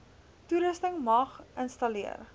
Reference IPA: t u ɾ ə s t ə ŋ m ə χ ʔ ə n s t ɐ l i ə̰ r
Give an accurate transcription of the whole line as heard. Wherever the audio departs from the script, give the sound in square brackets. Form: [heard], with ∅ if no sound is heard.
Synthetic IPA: t u ɾ ə s t ə ŋ m [ɐ] χ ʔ ə n s t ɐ l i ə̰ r